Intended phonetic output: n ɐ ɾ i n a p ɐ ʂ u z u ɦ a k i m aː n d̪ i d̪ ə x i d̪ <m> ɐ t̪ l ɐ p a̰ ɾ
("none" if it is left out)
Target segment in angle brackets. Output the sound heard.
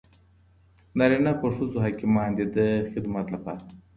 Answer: m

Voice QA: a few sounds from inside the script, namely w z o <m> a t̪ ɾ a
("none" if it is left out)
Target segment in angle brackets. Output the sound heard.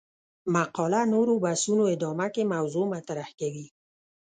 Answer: m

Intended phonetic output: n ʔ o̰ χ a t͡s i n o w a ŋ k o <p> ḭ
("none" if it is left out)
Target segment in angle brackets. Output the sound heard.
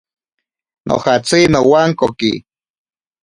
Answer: k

